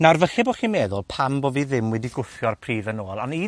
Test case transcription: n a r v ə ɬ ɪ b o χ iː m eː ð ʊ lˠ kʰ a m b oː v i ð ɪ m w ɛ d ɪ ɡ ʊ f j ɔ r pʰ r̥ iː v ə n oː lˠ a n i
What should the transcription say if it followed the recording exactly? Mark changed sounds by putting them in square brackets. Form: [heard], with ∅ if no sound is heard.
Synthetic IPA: n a r v ə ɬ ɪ b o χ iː m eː ð ʊ lˠ [pʰ] a m b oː v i ð ɪ m w ɛ d [i] ɡ ʊ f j ɔ r pʰ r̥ iː [ð] ə n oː lˠ a n i